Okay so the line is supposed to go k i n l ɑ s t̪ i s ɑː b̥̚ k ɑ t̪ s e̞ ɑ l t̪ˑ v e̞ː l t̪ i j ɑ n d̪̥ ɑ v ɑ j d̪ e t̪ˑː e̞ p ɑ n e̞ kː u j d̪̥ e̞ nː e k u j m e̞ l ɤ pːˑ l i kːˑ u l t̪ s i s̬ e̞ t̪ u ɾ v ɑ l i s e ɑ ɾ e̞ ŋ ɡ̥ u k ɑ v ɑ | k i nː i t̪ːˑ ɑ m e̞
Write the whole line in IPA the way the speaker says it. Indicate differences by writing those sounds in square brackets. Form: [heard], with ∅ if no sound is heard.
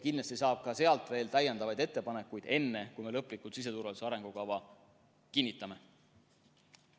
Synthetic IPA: k i n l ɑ s t̪ i s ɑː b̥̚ k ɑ [∅] s e̞ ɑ l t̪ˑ v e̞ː l t̪ [æ] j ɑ n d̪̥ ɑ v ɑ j d̪ e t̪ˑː e̞ p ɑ n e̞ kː u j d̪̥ e̞ nː e k u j m e̞ l ɤ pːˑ l i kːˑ u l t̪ s i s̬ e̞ t̪ u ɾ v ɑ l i s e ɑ ɾ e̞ ŋ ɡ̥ u k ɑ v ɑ | k i nː i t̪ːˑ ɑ m e̞